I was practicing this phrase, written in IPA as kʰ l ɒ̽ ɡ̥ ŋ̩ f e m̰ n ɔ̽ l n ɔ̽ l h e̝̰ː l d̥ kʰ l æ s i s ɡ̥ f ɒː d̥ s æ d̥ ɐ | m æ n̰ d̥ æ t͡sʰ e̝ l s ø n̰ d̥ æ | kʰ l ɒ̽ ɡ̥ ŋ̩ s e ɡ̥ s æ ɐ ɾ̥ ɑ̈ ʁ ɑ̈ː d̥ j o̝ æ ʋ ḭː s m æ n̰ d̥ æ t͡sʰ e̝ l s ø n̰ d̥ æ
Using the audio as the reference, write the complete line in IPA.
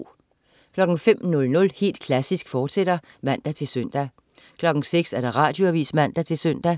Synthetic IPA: kʰ l ɒ̽ ɡ̥ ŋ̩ f e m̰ n ɔ̽ l n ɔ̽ l h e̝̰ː l d̥ kʰ l æ s i s ɡ̥ f ɒː d̥ s e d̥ ɐ | m æ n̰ d̥ æ t͡sʰ e̝ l s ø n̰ d̥ æ | kʰ l ɒ̽ ɡ̥ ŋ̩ s e ɡ̥ s æ ɐ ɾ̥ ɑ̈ ʁ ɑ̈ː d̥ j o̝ æ ʋ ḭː s m æ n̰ d̥ æ t͡sʰ e̝ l s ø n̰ d̥ æ

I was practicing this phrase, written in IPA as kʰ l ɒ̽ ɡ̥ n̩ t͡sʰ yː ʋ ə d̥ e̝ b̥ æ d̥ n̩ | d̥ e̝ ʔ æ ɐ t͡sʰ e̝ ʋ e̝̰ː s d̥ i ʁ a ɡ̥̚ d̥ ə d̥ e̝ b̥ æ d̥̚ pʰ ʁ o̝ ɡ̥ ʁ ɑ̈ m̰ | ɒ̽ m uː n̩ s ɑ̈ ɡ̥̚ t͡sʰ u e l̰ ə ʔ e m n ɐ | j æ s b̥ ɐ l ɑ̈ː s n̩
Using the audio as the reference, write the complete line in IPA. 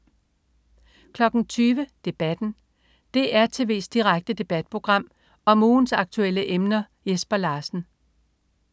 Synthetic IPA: kʰ l ɒ̽ ɡ̥ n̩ t͡sʰ yː ʋ ə d̥ e̝ b̥ æ d̥ n̩ | d̥ e̝ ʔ æ ɐ t͡sʰ e̝ ʋ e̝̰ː s d̥ i ʁ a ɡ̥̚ d̥ ə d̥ e̝ b̥ æ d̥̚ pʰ ʁ o̝ ɡ̥ ʁ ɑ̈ m̰ | ɒ̽ m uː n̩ s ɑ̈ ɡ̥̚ t͡sʰ u e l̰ ə ʔ e m n ɐ | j e s b̥ ɐ l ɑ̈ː s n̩

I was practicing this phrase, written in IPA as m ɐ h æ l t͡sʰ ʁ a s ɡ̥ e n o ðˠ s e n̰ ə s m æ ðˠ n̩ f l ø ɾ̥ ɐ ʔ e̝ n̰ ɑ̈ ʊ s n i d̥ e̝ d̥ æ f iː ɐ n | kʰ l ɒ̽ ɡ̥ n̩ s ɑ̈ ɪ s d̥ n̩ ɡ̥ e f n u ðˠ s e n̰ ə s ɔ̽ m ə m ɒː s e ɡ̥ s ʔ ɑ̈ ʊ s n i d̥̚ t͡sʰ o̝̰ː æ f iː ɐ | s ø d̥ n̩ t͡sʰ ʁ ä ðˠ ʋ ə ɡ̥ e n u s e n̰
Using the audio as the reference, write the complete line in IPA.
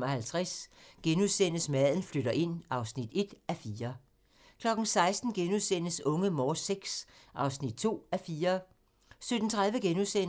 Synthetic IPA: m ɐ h æ l t͡sʰ ʁ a s ɡ̥ e n u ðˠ s e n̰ ə s m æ ðˠ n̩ f l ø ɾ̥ ɐ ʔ e̝ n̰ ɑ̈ ʊ s n i d̥ e̝ d̥ æ f iː ɐ | kʰ l ɒ̽ ɡ̥ n̩ s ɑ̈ ɪ s d̥ n̩ ɡ̥ e n u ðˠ s e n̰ ə s ɔ̽ ŋ ə m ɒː s e ɡ̥ s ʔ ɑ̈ ʊ s n i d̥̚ t͡sʰ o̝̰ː æ f iː ɐ | s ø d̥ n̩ t͡sʰ ʁ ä ðˠ ʋ ə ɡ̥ e n u s e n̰

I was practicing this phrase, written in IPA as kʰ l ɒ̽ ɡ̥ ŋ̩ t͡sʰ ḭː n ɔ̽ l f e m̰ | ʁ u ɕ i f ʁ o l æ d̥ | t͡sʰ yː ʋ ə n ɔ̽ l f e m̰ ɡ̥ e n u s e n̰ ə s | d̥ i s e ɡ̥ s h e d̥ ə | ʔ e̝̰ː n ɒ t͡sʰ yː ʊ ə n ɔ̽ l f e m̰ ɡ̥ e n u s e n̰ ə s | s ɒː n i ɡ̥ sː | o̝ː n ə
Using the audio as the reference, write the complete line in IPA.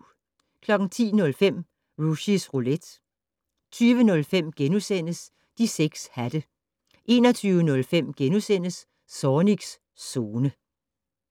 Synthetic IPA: kʰ l ɒ̽ ɡ̥ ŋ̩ t͡sʰ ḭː n ɔ̽ l f e m̰ | ʁ u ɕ i s ʁ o l e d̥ | t͡sʰ yː ʋ ə n ɔ̽ l f e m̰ ɡ̥ e n u s e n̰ ə s | d̥ i s e ɡ̥ s h æ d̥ ə | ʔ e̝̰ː n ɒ t͡sʰ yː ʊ ə n ɔ̽ l f e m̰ ɡ̥ e n u s e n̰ ə s | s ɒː n i ɡ̥ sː | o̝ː n ə

